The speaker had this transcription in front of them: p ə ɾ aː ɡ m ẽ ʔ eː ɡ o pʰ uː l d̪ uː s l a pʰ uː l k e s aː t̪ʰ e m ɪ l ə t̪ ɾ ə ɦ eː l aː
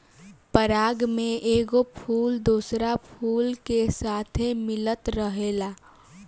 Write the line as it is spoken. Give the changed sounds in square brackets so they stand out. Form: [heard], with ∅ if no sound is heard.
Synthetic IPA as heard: p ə ɾ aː ɡ m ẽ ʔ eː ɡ o pʰ uː l d̪ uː s [ɾ] a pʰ uː l k e s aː t̪ʰ e m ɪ l ə t̪ ɾ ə ɦ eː l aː

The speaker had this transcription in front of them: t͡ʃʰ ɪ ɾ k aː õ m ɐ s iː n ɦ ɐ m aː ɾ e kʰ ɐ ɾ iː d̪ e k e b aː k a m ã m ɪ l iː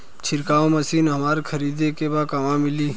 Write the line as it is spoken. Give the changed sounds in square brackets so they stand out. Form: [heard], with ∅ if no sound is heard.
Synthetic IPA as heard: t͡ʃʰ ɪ ɾ k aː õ m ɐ s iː n ɦ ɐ m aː ɾ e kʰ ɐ ɾ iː d̪ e k e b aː k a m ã m ɪ l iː

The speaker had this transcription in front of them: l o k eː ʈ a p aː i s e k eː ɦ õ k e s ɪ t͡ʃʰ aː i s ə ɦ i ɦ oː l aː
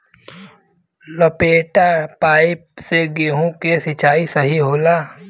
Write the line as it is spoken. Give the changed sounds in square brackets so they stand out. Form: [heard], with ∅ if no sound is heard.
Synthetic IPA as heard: l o [p] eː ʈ a p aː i s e [ɡ] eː ɦ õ k e s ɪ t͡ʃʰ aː i s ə ɦ i ɦ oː l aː

